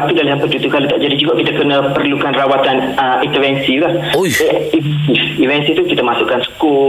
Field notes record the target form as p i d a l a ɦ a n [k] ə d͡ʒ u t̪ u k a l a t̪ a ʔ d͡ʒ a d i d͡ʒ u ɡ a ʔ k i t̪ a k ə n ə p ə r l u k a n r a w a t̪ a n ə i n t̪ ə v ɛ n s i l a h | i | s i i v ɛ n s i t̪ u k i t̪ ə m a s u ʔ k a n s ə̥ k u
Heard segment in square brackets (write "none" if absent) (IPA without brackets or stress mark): p